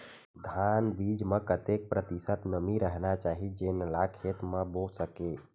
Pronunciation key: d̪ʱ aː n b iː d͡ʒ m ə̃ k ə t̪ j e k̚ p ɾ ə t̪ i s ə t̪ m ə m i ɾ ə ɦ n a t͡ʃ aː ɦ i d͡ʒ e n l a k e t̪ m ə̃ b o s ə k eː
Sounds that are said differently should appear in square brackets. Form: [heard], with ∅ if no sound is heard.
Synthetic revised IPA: d̪ʱ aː n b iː d͡ʒ m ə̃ k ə t̪ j e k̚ p ɾ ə t̪ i s ə t̪ [n] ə m i ɾ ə ɦ n a t͡ʃ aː ɦ i d͡ʒ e n l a [kʰ] e t̪ m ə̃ b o s ə k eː